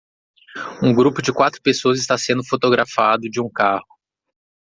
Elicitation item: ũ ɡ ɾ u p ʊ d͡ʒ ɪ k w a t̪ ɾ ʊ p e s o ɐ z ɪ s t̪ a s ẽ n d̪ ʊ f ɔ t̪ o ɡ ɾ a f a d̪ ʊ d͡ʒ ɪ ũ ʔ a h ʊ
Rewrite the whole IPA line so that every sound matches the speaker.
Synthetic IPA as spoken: ũ ɡ ɾ u p ʊ d͡ʒ ɪ k w a t̪ ɾ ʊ p e s o ɐ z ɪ s t̪ a s ẽ n d̪ ʊ f o t̪ o ɡ ɾ a f a d̪ ʊ d͡ʒ ɪ ũ k a h ʊ